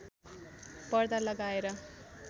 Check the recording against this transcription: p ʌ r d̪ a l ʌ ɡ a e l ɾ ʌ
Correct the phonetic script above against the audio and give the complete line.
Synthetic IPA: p ʌ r d̪ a l ʌ ɡ a e ɾ ʌ